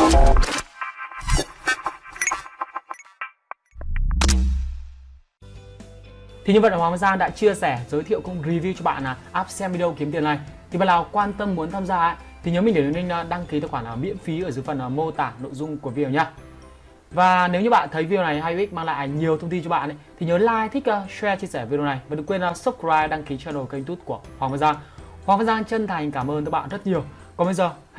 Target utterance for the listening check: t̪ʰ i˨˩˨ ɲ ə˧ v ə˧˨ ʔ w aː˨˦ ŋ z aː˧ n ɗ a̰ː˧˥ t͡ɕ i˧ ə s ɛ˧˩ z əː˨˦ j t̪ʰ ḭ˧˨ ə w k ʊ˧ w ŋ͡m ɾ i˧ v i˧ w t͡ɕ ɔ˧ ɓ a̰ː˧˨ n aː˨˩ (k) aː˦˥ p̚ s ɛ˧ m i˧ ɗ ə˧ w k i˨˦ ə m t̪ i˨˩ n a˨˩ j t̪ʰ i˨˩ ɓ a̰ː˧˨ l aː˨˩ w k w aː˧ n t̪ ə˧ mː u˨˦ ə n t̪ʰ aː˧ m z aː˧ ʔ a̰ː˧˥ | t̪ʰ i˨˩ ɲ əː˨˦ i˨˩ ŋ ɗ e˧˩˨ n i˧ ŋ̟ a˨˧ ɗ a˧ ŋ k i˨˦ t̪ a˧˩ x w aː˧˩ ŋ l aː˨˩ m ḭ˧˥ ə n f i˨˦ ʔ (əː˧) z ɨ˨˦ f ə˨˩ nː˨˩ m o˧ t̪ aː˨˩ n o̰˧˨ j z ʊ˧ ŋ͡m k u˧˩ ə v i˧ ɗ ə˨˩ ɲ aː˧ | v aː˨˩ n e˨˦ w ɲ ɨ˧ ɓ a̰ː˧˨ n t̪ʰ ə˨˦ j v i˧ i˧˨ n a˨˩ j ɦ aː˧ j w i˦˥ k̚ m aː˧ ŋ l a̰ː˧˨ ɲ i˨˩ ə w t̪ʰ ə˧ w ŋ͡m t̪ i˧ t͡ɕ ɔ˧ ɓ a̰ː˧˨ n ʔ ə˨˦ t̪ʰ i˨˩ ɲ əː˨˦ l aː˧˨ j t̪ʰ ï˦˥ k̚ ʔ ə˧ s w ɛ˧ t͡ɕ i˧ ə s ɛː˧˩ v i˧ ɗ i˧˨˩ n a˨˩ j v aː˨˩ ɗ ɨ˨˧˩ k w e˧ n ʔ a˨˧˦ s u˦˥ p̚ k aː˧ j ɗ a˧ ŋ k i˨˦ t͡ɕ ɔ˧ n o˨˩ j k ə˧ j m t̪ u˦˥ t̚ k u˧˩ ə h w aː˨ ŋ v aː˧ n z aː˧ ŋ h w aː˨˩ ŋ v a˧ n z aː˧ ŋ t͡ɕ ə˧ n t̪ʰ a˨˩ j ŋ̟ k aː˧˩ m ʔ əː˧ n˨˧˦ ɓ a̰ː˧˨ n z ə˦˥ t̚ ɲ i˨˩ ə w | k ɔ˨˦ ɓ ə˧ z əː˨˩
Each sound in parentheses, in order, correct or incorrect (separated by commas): incorrect, incorrect